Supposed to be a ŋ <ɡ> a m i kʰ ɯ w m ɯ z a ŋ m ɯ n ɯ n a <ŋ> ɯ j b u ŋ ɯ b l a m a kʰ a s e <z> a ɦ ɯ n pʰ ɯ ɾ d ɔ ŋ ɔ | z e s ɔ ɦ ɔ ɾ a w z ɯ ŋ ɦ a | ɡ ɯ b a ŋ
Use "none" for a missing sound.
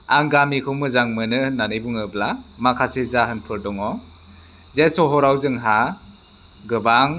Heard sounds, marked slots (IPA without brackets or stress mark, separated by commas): ɡ, n, z